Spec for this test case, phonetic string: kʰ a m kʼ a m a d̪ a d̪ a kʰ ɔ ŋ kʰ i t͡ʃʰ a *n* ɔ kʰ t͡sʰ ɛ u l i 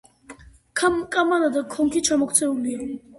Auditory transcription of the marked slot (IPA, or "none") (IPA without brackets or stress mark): m